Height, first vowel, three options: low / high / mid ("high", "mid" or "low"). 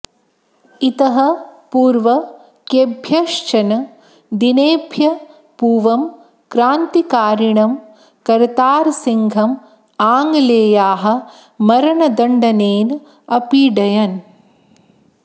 high